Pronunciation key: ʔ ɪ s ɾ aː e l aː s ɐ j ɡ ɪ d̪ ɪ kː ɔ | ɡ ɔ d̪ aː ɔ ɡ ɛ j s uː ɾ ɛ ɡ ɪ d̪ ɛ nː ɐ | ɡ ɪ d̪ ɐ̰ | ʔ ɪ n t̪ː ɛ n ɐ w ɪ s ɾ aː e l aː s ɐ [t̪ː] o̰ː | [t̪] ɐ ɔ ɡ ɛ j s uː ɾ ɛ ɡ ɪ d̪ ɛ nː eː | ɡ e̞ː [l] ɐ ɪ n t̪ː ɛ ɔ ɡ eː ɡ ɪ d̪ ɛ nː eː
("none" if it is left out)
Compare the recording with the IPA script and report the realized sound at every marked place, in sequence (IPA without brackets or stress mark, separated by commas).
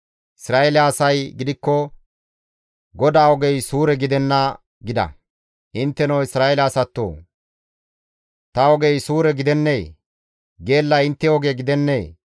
t̪ː, t̪, lː